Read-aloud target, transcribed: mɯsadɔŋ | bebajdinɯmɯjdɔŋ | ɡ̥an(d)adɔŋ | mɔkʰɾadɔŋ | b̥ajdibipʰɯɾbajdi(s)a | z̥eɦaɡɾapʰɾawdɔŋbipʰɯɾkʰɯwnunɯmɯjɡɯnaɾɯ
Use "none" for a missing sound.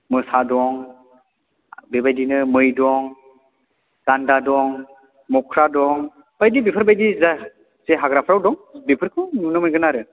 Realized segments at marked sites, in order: d, z

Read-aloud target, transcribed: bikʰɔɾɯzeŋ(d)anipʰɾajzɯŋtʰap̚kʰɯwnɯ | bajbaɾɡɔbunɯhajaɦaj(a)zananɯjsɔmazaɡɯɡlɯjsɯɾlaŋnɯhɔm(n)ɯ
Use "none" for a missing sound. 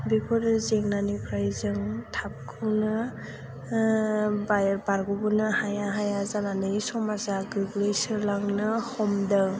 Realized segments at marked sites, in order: n, a, d

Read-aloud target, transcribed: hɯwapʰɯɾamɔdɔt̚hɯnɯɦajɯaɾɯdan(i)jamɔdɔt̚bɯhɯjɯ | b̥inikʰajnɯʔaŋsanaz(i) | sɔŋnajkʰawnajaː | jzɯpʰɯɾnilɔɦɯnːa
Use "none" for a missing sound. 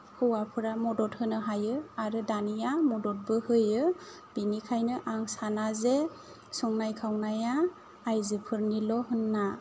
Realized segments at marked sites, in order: i, e

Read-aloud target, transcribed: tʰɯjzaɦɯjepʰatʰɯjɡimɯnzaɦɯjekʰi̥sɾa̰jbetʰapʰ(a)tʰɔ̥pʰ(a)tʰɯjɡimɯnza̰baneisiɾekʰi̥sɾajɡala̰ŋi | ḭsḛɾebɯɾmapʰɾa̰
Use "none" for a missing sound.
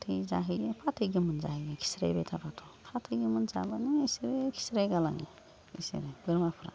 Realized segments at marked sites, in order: a, a

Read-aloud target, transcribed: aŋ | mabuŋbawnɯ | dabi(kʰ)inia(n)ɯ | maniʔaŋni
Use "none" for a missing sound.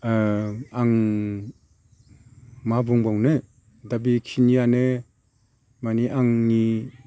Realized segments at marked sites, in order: kʰ, n

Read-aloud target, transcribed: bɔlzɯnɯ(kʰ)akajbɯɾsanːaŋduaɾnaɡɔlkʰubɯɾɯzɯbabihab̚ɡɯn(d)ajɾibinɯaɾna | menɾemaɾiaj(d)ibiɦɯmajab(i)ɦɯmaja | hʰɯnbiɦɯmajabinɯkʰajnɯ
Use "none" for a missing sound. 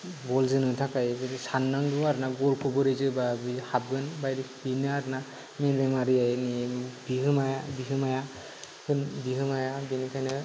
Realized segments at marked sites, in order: tʰ, b, n, i

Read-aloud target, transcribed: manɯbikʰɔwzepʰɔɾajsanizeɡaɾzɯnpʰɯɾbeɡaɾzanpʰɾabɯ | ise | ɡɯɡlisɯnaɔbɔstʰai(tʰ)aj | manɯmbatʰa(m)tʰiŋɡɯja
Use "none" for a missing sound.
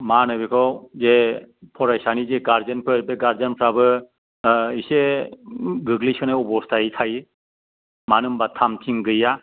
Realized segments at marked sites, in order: tʰ, m

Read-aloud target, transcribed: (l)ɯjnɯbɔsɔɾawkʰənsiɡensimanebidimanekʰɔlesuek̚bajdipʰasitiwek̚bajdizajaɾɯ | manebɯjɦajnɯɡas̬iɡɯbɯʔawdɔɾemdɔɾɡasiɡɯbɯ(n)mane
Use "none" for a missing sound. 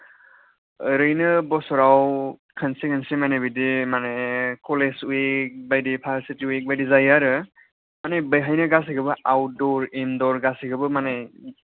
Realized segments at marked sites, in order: ɾ, none

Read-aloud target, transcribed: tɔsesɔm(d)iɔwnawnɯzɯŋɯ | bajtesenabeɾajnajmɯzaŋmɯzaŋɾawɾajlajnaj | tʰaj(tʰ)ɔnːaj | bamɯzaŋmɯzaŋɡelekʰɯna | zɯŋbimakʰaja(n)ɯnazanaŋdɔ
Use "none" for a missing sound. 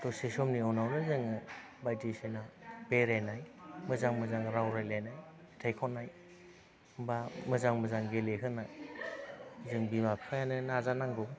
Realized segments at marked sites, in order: n, kʰ, n

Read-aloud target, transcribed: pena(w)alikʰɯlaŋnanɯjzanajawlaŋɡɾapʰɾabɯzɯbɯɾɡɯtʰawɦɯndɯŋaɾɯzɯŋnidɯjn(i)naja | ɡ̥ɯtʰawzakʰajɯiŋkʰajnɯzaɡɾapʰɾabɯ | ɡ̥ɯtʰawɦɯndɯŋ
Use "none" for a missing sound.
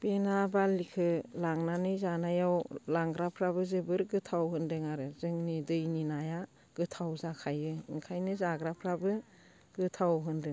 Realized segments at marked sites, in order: b, i

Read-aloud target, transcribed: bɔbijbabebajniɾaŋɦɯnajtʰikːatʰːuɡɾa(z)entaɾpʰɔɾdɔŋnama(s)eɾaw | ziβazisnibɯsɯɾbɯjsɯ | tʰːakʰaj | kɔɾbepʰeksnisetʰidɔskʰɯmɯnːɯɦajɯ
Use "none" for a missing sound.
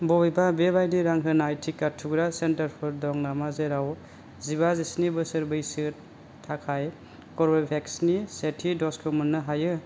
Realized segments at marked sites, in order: s, z

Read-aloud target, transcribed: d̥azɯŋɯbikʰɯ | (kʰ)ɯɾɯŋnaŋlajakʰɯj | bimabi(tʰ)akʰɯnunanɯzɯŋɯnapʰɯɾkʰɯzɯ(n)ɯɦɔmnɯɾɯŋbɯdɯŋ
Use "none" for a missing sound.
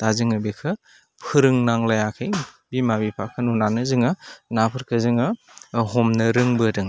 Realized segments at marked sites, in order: pʰ, pʰ, ŋ

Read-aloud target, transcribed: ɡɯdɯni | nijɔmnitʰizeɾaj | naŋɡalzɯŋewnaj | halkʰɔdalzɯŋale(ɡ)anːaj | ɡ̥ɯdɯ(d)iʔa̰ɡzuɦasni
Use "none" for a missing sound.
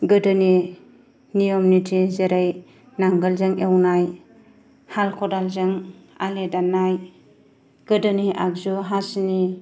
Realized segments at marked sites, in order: d, n

